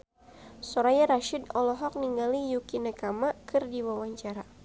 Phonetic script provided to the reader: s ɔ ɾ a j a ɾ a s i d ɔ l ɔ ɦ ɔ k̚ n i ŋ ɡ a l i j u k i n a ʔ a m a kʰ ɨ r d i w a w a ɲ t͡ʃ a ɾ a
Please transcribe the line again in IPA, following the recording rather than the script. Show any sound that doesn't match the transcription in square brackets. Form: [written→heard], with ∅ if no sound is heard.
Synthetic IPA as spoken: s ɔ ɾ a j a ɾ a [s→ʃ] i d ɔ l ɔ ɦ ɔ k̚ n i ŋ ɡ a l i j u k i n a [ʔ→k] a m a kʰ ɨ r d i w a w a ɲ t͡ʃ a ɾ a